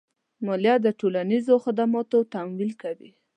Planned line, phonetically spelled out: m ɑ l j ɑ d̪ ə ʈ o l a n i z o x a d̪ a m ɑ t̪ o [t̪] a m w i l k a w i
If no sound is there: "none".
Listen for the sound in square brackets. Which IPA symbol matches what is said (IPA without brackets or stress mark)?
t̪